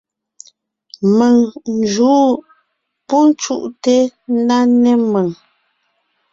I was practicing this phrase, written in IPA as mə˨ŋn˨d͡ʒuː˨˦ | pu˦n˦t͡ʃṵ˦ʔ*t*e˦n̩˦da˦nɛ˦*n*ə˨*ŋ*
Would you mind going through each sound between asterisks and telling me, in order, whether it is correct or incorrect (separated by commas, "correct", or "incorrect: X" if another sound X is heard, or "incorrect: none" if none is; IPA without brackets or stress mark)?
correct, incorrect: m, correct